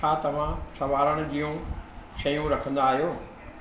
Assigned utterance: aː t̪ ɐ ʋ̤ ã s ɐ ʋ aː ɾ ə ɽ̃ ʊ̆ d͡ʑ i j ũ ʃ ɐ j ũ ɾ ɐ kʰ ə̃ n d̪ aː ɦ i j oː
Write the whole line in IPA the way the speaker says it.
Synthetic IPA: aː t̪ ɐ ʋ̤ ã s ɐ ʋ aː ɾ ə ɽ̃ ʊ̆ d͡ʑ i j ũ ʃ ɐ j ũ ɾ ɐ kʰ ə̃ n d̪ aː ɦ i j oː